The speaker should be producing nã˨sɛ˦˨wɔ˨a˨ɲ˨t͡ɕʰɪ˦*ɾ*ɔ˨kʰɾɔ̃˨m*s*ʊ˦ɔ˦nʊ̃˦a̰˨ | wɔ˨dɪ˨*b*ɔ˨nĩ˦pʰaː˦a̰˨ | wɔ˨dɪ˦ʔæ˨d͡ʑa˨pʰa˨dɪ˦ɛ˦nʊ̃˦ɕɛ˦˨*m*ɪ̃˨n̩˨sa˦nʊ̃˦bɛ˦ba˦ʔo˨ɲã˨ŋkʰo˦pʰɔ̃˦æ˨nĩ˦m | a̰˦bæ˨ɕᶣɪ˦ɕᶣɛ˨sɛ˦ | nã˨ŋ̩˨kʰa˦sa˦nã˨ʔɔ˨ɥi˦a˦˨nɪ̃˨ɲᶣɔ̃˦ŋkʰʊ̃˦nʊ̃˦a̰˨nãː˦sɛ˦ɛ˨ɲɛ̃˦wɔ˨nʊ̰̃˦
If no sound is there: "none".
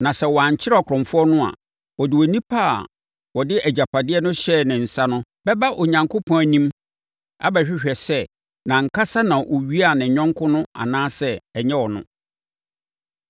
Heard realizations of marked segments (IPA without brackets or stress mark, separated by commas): ɾ, f, w, n